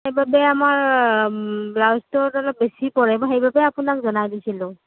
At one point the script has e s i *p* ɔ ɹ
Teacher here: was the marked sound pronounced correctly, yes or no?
yes